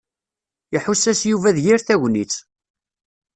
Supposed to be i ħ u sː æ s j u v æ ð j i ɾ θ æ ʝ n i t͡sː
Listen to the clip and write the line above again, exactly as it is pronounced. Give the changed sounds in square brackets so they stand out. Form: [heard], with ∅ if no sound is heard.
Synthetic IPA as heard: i ħ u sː æ s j u v æ ð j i ɾ θ æ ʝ n i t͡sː